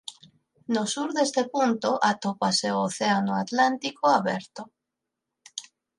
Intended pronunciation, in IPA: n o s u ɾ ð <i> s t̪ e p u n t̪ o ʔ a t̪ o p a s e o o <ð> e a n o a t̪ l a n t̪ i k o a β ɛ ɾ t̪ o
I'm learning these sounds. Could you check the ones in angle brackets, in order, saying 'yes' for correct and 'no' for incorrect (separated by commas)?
no, no